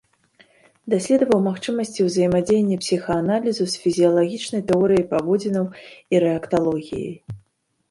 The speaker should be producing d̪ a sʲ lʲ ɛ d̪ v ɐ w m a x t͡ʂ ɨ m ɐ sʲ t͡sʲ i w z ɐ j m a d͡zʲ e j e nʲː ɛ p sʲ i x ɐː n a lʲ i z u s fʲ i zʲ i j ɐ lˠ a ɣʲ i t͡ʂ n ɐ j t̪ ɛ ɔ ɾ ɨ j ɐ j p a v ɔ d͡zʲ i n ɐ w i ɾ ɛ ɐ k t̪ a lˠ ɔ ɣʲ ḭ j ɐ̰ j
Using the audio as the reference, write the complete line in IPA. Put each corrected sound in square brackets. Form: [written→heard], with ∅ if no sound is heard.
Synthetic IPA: d̪ a sʲ lʲ ɛ d̪ v ɐ w m a x t͡ʂ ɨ m ɐ sʲ t͡sʲ i w z ɐ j m a d͡zʲ e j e nʲː ɛ p sʲ i x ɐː n a lʲ i z u s fʲ i zʲ i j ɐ lˠ a ɣʲ i t͡ʂ n ɐ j t̪ ɛ ɔ ɾ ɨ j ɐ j p a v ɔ d͡zʲ i n ɐ w i ɾ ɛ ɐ k t̪ a lˠ ɔ ɣʲ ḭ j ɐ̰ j